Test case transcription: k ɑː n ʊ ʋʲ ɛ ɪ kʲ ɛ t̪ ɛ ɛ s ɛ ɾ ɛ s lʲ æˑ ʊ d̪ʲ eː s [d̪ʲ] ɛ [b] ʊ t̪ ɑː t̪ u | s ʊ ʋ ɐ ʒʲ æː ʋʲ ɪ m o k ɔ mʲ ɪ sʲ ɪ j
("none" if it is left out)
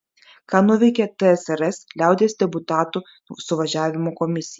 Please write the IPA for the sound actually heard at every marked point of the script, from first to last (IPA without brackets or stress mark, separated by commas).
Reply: d̪ʲ, b